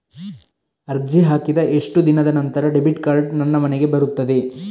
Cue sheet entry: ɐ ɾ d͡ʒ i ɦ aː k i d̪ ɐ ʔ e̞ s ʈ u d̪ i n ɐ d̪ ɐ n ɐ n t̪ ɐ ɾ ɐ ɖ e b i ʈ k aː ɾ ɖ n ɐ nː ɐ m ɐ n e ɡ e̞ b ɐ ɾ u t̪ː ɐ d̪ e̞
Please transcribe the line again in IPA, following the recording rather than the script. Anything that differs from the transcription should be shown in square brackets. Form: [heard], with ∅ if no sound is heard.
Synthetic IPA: ɐ ɾ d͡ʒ i ɦ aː k i d̪ ɐ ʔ e̞ [ʂ] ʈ u d̪ i n ɐ d̪ ɐ n ɐ n t̪ ɐ ɾ ɐ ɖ e b i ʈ k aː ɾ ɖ n ɐ nː ɐ m ɐ n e ɡ e̞ b ɐ ɾ u t̪ː ɐ d̪ e̞